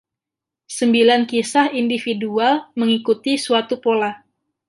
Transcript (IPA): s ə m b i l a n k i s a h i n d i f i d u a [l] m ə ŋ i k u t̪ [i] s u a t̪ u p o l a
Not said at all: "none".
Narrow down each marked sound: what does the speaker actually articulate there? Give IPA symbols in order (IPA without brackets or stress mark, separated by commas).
l, i